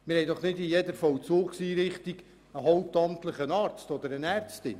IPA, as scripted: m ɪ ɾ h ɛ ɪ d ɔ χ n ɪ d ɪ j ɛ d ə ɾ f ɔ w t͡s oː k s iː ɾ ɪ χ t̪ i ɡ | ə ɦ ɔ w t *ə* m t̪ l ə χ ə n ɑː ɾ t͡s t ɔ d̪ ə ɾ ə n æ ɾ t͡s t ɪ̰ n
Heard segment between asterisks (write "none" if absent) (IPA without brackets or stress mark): ɑ